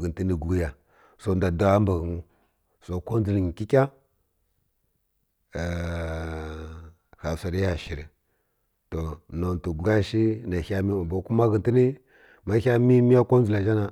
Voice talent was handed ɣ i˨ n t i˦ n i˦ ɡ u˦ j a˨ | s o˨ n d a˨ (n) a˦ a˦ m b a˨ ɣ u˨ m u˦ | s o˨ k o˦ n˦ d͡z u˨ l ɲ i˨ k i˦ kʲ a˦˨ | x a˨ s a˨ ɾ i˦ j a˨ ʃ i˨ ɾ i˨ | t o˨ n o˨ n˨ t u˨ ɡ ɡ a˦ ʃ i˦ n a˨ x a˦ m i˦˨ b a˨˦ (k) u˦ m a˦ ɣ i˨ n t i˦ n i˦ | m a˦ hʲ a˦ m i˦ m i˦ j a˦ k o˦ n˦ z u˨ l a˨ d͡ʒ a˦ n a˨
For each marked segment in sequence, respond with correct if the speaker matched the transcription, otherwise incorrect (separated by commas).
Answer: incorrect, correct